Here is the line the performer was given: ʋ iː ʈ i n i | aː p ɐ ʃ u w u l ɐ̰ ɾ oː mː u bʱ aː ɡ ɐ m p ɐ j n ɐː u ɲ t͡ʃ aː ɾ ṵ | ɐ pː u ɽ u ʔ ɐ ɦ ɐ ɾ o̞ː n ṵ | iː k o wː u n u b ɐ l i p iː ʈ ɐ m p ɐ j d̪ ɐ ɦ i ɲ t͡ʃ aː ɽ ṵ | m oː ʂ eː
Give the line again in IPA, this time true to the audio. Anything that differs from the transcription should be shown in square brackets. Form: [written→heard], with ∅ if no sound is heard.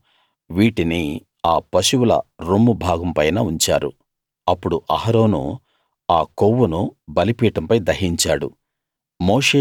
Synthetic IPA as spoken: ʋ iː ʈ i n i | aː p ɐ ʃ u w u l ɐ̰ ɾ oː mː u bʱ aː ɡ ɐ m p ɐ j n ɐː u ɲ t͡ʃ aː ɾ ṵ | ɐ pː u ɽ u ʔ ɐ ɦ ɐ ɾ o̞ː n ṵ | [iː→aː] k o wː u n u b ɐ l i p iː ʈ ɐ m p ɐ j d̪ ɐ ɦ i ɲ t͡ʃ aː ɽ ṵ | m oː ʂ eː